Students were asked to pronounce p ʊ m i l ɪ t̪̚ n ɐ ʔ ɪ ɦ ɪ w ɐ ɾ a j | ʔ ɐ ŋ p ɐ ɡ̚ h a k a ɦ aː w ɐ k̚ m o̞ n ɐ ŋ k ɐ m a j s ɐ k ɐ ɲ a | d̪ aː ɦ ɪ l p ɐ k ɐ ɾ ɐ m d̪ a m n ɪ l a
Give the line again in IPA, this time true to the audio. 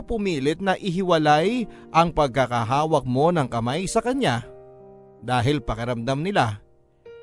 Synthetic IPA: p ʊ m iː l ɪ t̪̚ n ɐ ʔ ɪ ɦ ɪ w ɐ l a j | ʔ ɐ ŋ p ɐ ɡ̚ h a k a ɦ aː w ɐ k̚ m o̞ n ɐ ŋ k ɐ m a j s ɐ k ɐ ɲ a | d̪ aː ɦ ɪ l p ɐ k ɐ ɾ ɐ m d̪ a m n ɪ l a